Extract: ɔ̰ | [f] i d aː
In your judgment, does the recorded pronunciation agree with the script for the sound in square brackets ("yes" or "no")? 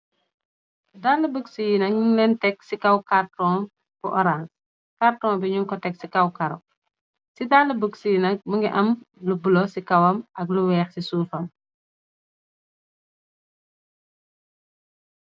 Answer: no